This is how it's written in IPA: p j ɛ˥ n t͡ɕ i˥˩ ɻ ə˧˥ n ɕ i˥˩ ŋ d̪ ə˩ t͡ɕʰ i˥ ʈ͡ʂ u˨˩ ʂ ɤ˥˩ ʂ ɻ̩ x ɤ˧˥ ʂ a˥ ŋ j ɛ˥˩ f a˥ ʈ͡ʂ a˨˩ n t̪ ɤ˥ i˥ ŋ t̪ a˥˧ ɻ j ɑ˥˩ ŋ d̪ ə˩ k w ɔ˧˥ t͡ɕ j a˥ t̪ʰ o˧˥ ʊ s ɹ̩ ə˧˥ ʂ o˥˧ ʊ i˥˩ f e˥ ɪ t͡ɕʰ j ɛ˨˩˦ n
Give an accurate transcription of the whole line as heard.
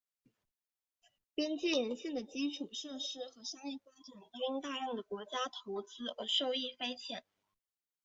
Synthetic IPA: p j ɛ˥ n t͡ɕ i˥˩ ɻ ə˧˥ n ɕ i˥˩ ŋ d̪ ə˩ t͡ɕ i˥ ʈ͡ʂʰ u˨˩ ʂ ɤ˥˩ ʂ ɻ̩ x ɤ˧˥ ʂ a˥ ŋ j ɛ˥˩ f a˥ ʈ͡ʂ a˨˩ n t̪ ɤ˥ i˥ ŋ t̪ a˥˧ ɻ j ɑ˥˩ ŋ d̪ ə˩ k w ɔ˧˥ t͡ɕ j a˥ t̪ʰ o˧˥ ʊ t͡s ɹ̩ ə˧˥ ʂ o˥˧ ʊ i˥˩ f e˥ ɪ t͡ɕʰ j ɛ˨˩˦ n